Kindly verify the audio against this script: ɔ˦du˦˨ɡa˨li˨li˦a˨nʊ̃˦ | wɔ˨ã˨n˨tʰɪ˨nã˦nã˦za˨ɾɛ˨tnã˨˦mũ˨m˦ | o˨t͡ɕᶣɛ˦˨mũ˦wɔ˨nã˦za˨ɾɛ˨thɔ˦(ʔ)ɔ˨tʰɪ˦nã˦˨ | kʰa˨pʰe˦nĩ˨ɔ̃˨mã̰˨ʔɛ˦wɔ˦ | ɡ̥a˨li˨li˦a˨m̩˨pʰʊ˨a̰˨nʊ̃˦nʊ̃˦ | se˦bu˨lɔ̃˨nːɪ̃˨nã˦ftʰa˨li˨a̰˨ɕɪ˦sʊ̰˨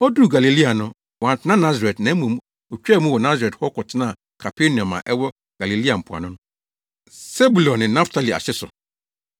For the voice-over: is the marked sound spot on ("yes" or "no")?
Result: no